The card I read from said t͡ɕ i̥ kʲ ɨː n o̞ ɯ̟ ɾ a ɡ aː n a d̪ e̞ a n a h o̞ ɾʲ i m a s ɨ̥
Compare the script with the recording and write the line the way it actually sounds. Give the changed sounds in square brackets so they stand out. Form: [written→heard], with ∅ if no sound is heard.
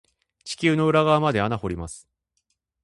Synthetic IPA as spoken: t͡ɕ i̥ kʲ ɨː n o̞ ɯ̟ ɾ a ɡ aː [n→m] a d̪ e̞ a n a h o̞ ɾʲ i m a s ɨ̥